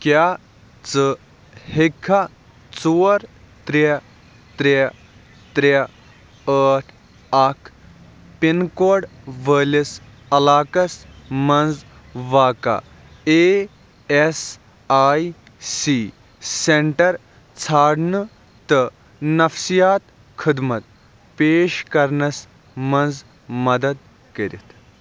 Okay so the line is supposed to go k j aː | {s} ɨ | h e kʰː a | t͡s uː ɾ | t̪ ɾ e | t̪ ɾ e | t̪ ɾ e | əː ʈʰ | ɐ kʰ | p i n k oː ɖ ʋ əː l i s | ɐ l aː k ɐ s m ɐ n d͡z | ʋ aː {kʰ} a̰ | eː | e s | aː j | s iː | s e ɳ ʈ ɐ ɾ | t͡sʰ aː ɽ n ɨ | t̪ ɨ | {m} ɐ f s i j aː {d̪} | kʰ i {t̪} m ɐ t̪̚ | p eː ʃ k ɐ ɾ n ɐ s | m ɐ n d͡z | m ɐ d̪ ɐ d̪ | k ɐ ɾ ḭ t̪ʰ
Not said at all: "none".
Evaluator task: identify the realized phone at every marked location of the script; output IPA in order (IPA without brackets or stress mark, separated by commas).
t͡s, k, n, t̪, d̪